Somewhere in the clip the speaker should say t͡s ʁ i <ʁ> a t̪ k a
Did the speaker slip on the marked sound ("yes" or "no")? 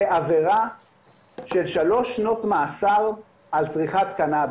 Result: yes